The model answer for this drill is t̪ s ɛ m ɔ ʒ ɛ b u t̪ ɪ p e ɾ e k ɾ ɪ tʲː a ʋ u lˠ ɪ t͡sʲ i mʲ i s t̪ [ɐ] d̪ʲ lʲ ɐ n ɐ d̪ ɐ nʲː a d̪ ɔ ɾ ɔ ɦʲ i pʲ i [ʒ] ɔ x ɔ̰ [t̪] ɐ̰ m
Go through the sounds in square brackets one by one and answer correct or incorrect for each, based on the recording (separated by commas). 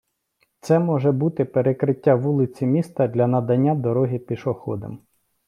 correct, incorrect, incorrect